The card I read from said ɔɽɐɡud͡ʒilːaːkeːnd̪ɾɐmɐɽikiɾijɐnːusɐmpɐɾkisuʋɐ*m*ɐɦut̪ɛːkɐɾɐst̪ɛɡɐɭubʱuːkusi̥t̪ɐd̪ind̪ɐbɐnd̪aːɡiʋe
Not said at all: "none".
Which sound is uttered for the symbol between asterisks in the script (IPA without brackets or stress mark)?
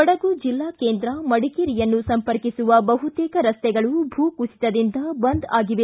b